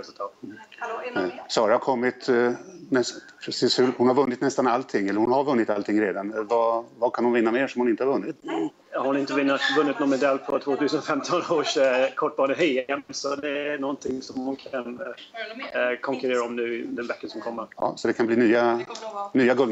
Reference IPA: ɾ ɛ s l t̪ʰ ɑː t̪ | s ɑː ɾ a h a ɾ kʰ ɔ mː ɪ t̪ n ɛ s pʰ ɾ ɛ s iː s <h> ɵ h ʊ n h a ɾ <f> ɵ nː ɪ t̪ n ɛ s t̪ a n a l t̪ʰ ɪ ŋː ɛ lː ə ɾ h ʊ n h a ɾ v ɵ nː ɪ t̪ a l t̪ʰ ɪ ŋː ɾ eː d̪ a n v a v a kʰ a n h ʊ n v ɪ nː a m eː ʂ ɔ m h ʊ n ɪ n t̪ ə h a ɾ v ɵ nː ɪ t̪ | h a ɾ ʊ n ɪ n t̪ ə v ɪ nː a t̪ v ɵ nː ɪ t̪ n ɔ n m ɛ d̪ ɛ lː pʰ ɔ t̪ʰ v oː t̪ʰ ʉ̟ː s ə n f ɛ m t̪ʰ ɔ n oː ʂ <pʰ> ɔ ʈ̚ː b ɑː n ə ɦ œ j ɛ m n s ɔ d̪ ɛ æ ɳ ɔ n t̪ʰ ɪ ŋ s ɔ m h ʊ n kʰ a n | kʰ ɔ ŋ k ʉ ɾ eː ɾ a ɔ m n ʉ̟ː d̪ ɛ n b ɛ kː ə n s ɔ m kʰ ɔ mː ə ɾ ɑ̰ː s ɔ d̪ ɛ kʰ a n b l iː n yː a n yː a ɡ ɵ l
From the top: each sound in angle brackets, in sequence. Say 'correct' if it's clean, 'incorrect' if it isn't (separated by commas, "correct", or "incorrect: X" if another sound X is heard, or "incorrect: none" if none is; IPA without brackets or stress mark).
correct, incorrect: v, incorrect: kʰ